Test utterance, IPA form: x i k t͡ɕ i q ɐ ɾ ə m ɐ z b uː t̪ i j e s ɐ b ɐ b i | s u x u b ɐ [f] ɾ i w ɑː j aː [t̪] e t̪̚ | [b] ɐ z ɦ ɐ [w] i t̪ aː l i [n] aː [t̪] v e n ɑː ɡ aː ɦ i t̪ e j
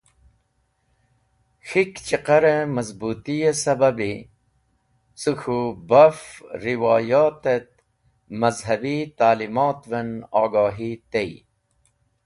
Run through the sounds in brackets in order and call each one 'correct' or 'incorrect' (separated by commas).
correct, correct, incorrect, incorrect, incorrect, correct